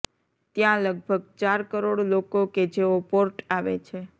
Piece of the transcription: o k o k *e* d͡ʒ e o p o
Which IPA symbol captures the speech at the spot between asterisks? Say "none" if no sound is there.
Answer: e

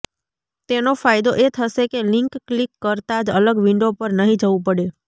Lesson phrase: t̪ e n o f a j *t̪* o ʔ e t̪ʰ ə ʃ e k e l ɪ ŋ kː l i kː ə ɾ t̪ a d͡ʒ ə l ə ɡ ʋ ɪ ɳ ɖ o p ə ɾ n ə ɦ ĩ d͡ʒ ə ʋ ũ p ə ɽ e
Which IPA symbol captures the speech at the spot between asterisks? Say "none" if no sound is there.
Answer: d̪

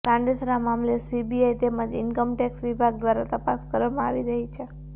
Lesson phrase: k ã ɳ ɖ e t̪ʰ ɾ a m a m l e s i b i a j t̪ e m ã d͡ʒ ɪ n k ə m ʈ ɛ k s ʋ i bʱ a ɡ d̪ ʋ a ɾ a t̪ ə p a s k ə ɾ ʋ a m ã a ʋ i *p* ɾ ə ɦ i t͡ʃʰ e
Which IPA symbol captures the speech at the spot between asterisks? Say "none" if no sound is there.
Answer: none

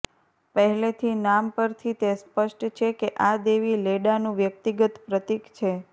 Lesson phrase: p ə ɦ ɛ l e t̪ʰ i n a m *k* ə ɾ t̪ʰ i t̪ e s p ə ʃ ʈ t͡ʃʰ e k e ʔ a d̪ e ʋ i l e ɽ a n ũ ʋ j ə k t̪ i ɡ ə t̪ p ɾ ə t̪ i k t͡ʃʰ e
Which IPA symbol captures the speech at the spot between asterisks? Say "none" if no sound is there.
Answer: p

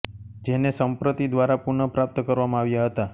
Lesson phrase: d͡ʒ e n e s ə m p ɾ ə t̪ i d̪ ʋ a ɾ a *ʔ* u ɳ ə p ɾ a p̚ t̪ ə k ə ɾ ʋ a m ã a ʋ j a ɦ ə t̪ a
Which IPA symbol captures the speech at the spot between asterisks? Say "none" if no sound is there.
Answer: p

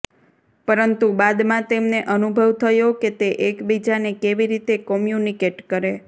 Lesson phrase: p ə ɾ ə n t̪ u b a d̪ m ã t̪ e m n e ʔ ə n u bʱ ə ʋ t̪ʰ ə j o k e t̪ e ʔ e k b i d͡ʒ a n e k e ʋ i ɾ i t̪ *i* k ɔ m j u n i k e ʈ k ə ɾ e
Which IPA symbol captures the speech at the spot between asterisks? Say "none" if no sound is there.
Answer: e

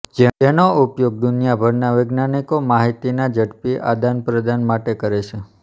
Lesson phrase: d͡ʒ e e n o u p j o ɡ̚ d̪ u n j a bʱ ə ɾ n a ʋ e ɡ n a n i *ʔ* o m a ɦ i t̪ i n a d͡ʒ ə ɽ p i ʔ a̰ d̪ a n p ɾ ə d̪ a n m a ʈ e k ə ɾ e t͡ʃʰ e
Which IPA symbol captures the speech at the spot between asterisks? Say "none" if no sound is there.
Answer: k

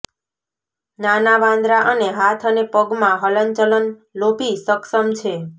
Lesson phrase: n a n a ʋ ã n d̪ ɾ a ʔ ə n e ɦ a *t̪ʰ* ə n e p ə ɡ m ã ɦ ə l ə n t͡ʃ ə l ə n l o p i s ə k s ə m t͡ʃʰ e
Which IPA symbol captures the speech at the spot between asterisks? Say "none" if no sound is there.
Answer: t̪ʰ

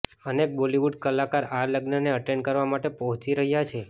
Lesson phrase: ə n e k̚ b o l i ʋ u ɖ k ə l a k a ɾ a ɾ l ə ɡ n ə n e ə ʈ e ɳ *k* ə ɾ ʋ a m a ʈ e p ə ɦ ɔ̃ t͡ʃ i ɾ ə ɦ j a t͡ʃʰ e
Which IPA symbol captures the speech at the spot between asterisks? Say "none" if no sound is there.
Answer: k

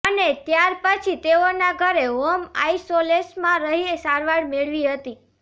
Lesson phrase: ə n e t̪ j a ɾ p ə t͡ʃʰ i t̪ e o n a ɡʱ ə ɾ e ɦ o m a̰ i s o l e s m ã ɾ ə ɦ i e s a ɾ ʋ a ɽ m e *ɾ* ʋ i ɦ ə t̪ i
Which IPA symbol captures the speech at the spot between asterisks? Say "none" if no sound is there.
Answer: ɭ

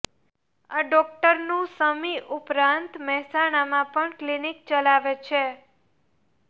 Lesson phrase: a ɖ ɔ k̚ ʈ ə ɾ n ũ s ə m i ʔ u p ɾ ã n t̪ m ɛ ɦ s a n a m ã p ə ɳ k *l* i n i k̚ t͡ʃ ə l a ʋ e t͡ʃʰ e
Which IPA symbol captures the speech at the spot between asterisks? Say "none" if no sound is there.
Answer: l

